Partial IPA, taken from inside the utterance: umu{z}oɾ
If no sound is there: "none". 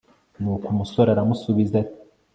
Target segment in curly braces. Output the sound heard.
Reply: s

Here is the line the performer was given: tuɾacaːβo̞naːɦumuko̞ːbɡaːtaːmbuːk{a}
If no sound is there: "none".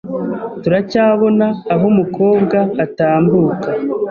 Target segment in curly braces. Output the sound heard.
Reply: a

